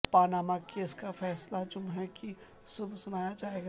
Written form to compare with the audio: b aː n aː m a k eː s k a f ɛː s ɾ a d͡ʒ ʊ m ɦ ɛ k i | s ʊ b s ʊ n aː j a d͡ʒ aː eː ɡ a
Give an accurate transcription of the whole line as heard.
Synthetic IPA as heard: p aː n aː m a k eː s k a f ɛː s l a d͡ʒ ʊ m ɦ ɛ k i | s ʊ b s ʊ n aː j a d͡ʒ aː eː ɡ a